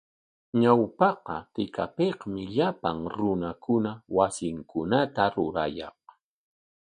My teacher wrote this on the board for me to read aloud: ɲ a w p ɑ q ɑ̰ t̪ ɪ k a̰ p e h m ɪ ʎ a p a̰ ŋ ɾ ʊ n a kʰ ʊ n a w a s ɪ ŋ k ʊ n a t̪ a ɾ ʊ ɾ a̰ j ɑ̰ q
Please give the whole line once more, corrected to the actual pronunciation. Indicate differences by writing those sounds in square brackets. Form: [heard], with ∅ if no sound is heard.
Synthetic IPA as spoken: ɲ a w p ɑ q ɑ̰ t̪ ɪ k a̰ p e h m ɪ ʎ a p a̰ ŋ ɾ ʊ n a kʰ ʊ n a w a s ɪ ŋ k ʊ n a t̪ a ɾ ʊ ɾ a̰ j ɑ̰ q